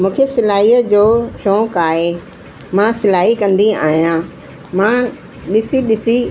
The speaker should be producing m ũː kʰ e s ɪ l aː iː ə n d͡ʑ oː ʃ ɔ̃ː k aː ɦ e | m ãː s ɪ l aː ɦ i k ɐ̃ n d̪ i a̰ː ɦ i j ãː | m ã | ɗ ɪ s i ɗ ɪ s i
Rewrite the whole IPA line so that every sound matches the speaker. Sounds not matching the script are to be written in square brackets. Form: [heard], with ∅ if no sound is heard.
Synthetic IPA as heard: m ũː kʰ e s ɪ l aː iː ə [∅] d͡ʑ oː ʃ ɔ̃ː k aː ɦ e | m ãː s ɪ l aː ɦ i k ɐ̃ n d̪ i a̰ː ɦ i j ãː | m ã | ɗ ɪ s i ɗ ɪ s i